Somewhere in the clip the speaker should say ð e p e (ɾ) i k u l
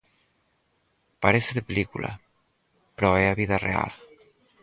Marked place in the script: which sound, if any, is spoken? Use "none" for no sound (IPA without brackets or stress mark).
l